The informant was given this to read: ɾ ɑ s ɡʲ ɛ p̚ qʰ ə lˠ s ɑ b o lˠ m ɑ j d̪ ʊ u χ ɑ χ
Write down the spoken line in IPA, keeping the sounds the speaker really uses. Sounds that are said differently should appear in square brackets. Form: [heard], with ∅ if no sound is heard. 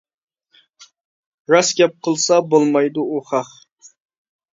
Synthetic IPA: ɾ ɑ s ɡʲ ɛ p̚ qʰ ə lˠ s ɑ b o lˠ m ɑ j d̪ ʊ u χ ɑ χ

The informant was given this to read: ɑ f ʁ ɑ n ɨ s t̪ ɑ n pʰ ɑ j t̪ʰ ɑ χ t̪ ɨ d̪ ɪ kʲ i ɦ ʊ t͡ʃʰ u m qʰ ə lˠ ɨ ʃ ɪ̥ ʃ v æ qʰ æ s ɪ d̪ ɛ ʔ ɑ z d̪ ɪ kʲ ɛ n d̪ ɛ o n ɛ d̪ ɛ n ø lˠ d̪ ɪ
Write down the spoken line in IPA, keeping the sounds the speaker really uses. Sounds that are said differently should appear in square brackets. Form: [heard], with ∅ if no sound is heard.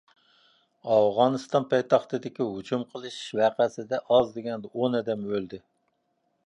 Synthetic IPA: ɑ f ʁ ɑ n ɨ s t̪ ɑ n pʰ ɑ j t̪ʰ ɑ χ t̪ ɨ d̪ ɪ kʲ i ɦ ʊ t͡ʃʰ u m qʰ ə lˠ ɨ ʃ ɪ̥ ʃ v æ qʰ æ s ɪ d̪ ɛ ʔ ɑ z d̪ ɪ [ɡʲ] ɛ n d̪ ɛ o n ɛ d̪ ɛ [m] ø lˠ d̪ ɪ

